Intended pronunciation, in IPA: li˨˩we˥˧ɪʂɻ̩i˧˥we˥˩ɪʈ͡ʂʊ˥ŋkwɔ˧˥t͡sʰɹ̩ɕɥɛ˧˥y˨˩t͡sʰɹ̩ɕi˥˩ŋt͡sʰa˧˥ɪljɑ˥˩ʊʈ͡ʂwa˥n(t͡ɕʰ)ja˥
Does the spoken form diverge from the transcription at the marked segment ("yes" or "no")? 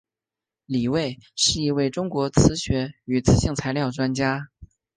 yes